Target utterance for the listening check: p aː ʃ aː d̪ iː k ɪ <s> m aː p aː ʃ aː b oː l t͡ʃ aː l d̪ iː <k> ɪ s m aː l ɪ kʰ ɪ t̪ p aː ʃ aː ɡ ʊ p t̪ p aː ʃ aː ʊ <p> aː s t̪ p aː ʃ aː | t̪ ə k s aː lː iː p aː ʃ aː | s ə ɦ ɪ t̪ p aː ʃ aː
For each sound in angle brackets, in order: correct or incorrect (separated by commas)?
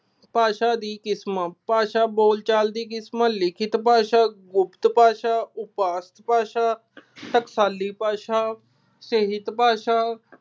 correct, correct, correct